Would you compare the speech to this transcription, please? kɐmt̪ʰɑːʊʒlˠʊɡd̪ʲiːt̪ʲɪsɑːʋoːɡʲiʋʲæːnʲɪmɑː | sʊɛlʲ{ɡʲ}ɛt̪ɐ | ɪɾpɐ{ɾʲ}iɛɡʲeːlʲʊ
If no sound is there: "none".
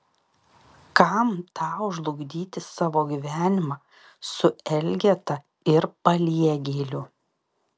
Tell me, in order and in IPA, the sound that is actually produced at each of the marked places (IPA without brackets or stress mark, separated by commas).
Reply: ɡʲ, lʲ